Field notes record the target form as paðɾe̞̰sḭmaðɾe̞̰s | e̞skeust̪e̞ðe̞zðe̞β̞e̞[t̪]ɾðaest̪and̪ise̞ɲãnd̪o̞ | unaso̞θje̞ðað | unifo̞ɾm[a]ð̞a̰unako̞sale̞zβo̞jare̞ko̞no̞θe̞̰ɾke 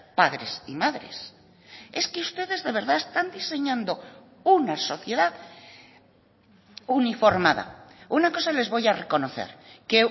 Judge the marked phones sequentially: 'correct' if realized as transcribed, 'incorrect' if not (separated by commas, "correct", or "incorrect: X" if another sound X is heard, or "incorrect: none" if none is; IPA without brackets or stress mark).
incorrect: none, correct